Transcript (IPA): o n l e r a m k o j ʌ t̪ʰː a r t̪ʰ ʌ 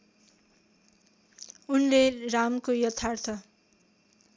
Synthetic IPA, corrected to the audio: u n l e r a m k o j ʌ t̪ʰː a r t̪ʰ ʌ